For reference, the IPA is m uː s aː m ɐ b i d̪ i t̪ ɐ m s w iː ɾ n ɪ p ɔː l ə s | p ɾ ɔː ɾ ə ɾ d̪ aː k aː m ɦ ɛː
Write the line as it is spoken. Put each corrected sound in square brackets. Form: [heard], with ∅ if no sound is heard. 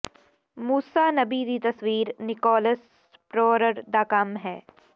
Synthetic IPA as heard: m uː s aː [n] ɐ b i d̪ i t̪ ɐ [∅] s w iː ɾ n ɪ [k] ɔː l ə s | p ɾ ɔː ɾ ə ɾ d̪ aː k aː m ɦ ɛː